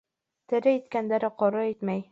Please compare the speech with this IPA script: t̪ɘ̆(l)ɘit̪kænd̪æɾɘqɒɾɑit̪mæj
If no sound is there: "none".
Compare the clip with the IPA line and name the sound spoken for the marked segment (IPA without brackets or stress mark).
ɾ